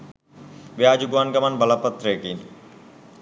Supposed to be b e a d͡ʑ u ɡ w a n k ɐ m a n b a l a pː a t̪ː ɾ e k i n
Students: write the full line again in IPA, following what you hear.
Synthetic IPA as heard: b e a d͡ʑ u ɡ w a n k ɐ m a n b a l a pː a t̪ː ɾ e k i n